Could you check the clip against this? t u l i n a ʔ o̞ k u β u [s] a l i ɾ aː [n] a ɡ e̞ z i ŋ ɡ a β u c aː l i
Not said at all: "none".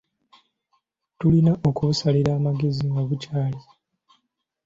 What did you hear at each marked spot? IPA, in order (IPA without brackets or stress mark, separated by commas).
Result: s, m